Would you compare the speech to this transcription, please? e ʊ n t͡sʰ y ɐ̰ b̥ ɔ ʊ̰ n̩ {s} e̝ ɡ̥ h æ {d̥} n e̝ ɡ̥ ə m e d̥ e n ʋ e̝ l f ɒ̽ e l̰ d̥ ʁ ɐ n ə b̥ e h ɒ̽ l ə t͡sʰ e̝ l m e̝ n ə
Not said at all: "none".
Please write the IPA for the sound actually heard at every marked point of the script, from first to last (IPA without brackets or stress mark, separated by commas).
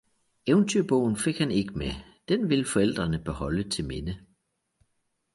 f, none